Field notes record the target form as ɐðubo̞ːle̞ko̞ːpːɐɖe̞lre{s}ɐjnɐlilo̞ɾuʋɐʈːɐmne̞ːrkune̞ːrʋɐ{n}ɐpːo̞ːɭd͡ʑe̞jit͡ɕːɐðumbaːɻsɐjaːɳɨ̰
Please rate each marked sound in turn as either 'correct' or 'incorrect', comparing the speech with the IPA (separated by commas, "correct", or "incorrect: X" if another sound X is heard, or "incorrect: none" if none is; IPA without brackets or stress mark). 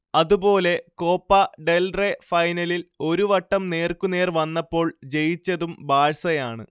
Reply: incorrect: f, incorrect: nː